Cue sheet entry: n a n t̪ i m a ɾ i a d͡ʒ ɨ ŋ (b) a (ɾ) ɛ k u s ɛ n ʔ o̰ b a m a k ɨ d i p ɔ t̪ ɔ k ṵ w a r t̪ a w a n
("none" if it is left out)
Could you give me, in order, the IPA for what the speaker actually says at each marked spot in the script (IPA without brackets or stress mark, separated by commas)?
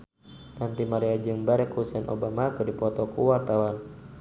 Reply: b, ɾ